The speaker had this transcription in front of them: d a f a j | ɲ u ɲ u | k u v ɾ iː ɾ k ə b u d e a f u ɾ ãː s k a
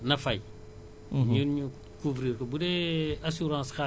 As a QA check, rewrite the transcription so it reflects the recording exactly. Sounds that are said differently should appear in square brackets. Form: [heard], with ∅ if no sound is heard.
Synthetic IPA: [n] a f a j | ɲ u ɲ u | k u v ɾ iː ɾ k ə b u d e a [s] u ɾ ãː s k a